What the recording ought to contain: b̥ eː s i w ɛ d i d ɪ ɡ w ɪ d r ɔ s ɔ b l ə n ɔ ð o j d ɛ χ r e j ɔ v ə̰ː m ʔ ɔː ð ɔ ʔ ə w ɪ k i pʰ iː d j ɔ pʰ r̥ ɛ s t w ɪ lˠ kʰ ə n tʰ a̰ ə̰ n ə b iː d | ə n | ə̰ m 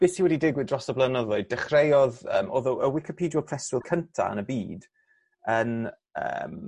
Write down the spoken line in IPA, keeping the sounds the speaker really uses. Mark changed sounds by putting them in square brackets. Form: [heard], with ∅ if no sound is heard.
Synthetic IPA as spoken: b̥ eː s i w ɛ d i d ɪ ɡ w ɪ d r ɔ s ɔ b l ə n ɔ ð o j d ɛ χ r e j ɔ [ð] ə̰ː m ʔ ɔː ð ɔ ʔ ə w ɪ k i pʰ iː d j ɔ pʰ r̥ ɛ s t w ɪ lˠ kʰ ə n tʰ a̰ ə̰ n ə b iː d | ə n | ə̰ m